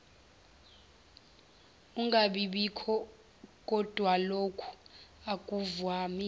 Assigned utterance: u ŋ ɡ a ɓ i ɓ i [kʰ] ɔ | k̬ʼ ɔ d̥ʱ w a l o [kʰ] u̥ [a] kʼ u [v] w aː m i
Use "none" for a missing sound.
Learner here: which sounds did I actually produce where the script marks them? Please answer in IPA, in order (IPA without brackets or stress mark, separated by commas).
kʰ, kʰ, a, v